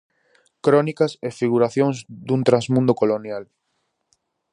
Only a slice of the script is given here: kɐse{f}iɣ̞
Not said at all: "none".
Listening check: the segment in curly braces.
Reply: f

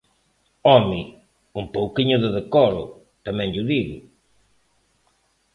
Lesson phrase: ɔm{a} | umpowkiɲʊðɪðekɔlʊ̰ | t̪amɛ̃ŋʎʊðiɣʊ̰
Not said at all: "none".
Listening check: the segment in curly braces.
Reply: i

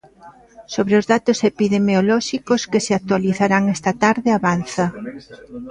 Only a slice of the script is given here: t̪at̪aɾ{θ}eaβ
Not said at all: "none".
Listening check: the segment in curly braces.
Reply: ð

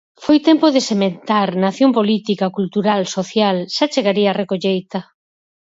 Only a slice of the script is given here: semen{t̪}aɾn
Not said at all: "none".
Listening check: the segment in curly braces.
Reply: t̪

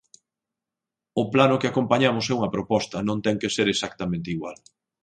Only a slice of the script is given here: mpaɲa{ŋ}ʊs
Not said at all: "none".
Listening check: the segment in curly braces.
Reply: m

